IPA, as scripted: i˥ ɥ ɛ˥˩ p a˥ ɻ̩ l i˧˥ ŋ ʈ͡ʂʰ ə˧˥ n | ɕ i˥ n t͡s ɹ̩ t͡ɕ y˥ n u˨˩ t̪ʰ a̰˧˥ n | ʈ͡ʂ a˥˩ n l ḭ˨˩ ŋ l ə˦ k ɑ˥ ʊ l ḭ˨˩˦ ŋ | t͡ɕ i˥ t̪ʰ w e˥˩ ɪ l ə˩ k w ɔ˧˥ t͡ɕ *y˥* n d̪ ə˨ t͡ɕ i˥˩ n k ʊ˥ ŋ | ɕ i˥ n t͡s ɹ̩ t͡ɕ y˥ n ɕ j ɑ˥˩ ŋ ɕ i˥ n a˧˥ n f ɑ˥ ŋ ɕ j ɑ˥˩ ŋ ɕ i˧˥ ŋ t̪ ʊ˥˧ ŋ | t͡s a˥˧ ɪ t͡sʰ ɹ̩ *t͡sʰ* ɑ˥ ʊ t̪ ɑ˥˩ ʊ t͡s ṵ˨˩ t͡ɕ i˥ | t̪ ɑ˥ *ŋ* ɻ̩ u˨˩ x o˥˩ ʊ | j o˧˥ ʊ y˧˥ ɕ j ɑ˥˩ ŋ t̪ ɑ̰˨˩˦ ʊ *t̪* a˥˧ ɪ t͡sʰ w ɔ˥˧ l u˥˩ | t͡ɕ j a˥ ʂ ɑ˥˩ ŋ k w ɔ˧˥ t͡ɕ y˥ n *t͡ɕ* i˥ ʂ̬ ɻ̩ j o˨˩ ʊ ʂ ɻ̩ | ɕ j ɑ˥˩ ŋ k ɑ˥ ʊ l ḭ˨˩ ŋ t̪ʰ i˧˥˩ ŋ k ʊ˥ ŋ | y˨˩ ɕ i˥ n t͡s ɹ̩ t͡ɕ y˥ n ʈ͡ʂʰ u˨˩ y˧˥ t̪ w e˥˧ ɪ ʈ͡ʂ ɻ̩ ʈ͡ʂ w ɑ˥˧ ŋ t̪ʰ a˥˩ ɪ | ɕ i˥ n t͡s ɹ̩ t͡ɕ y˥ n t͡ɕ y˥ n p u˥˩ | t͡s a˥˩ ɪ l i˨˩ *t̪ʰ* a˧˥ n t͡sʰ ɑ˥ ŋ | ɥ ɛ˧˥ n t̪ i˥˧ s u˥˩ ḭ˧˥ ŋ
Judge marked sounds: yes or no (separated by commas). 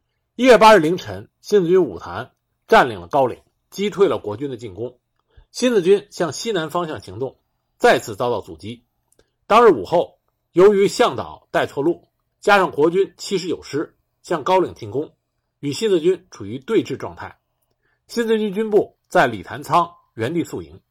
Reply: yes, no, yes, yes, no, yes